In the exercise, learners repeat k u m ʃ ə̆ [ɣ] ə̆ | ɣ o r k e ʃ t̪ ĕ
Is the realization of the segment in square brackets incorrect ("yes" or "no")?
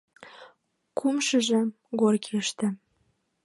yes